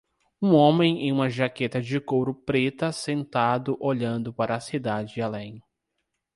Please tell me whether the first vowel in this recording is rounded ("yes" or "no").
yes